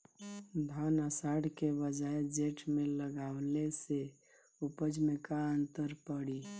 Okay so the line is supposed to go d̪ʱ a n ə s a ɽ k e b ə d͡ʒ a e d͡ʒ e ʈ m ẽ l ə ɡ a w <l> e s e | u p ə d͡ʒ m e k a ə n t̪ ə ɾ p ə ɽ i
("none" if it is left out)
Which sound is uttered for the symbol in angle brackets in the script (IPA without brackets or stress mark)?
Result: l